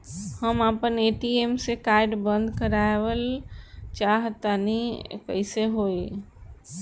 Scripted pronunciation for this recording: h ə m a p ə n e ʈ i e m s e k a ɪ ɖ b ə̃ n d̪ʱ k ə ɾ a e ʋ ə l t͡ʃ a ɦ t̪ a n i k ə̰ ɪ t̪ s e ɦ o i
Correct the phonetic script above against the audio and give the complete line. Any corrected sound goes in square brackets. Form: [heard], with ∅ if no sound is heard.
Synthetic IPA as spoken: h ə m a p ə n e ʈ i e m s e k a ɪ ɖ b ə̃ n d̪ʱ k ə ɾ a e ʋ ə l t͡ʃ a ɦ t̪ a n i k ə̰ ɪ [∅] s e ɦ o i